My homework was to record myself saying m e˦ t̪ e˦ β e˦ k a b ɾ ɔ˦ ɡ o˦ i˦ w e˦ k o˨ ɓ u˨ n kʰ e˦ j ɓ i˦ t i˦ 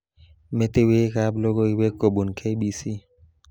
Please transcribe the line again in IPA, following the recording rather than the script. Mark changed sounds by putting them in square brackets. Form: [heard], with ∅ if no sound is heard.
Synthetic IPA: m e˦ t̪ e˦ [w] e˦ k a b [l] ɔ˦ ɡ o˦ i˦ w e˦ k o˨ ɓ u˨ n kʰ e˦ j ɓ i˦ [s] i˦

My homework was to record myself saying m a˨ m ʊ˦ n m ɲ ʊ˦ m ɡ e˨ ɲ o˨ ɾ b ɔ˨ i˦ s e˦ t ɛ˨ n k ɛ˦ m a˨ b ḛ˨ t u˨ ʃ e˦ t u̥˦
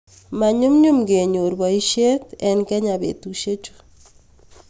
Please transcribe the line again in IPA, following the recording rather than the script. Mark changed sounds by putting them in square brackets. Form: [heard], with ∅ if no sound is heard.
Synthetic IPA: m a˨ [ɲ] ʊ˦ [∅] m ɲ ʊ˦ m ɡ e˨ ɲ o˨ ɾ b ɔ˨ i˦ [ʃ] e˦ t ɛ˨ n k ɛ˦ [ɲ] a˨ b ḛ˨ t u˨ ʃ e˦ [t͡ʃ] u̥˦

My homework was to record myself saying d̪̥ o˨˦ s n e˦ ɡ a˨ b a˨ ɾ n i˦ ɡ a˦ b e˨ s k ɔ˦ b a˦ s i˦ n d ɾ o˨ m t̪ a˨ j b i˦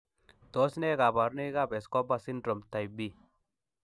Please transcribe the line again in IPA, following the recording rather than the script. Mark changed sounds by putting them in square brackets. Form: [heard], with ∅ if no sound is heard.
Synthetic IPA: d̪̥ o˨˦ s n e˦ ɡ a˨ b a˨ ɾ n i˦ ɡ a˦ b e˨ s k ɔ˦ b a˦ s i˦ n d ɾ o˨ m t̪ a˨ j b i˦

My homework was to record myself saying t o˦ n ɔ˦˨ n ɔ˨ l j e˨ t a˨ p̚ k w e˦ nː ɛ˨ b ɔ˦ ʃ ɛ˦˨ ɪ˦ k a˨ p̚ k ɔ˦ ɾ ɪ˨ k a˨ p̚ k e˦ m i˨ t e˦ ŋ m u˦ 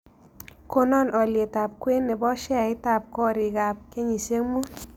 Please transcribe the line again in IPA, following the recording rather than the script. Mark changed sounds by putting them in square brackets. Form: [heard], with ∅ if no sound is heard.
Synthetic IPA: [k] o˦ n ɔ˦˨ n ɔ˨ l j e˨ t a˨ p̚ k w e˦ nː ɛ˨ b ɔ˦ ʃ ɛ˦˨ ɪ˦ [t] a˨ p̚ k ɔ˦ ɾ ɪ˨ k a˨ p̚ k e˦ [ɲ] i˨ [s] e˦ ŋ m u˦

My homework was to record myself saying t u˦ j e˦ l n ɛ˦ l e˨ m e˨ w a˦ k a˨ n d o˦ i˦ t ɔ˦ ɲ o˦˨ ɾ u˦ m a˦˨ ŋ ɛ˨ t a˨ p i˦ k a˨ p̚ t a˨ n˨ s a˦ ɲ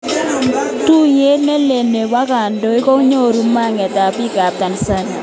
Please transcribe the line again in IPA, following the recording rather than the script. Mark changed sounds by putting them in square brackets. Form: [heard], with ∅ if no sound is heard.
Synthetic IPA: t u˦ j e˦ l n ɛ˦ l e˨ [n] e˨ w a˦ k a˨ n d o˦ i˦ [k] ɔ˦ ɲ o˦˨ ɾ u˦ m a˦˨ ŋ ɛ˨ t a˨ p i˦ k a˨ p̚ t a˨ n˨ s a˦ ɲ

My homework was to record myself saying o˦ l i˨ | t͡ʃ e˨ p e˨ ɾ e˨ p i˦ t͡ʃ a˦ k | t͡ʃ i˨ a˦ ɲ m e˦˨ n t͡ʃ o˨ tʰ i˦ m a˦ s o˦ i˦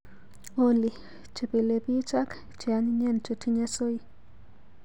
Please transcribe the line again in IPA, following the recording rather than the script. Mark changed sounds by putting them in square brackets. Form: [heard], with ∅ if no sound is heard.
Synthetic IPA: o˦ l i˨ | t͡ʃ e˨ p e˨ [l] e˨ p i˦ t͡ʃ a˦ k | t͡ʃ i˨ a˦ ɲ [ɲ] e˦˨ n t͡ʃ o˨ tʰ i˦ [ɲ] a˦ s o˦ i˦

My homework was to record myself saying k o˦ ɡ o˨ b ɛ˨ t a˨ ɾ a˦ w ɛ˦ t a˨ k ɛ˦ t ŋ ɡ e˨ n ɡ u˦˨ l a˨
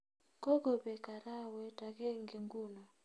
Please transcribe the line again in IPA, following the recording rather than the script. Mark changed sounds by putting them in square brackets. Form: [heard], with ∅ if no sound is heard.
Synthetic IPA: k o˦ ɡ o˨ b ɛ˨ [k] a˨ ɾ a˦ w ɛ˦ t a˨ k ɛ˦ [∅] ŋ ɡ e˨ [ŋ] ɡ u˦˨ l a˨

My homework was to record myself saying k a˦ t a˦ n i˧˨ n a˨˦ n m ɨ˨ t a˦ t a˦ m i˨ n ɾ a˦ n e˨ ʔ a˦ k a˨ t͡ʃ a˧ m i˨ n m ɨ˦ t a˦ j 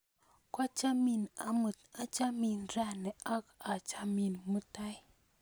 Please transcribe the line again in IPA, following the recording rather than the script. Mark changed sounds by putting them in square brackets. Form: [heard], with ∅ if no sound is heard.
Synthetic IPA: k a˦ [t͡ʃ] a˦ [m] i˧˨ n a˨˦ [∅] m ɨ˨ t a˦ [t͡ʃ] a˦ m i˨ n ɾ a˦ n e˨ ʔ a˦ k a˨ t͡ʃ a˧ m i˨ n m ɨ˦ t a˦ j

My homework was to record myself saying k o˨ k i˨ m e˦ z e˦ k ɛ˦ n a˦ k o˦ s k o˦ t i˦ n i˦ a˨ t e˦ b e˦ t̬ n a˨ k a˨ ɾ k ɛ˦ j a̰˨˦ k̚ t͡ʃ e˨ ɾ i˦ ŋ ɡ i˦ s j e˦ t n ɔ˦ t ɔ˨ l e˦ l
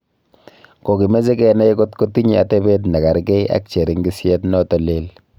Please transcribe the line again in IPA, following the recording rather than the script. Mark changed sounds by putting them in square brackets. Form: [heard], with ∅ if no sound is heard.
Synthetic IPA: k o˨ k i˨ m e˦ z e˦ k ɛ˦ n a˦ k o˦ [t] k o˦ t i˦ [ɲ] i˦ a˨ t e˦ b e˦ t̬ n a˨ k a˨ ɾ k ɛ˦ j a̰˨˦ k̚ t͡ʃ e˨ ɾ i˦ ŋ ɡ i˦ s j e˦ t n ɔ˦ t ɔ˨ l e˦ l

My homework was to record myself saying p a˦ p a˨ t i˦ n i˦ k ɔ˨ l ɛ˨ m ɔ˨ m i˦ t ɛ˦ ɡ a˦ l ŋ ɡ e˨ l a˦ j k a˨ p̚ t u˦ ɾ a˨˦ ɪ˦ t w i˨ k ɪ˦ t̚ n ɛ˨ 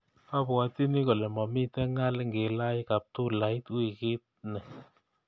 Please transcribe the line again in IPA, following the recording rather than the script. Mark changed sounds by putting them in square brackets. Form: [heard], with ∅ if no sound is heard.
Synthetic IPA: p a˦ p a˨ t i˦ n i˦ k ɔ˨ l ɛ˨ m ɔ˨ m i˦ t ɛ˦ [ŋ] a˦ l ŋ ɡ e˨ l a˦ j k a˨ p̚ t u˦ [l] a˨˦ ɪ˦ t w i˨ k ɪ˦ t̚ n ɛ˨

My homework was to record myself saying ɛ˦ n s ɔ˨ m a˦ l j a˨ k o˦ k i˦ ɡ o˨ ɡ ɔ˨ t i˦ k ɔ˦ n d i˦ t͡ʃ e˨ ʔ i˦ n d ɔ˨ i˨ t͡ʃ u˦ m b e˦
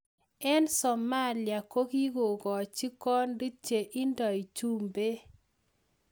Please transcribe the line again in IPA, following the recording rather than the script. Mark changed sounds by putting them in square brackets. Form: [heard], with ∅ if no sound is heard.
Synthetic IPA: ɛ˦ n s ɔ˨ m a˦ l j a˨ k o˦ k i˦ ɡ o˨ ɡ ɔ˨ [t͡ʃ] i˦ k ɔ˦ n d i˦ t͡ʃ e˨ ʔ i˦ n d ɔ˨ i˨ t͡ʃ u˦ m b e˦

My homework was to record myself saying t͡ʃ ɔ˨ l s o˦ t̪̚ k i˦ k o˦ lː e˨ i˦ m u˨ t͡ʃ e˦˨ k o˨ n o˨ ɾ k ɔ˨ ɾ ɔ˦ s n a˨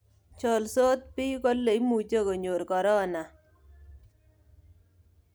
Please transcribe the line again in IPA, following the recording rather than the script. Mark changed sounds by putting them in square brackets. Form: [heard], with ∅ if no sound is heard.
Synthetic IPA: t͡ʃ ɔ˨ l s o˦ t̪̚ [p] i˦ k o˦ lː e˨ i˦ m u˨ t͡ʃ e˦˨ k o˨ [ɲ] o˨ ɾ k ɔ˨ ɾ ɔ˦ [∅] n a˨

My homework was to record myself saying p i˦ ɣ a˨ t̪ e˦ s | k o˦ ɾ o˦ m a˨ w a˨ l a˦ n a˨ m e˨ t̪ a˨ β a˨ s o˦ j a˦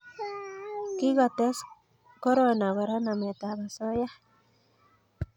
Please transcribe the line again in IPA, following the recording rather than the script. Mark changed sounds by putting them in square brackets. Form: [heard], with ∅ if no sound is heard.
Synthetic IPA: [k] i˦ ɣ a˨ t̪ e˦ s | k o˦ ɾ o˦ [n] a˨ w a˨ [ɾ] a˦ n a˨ m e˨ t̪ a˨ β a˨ s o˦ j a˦

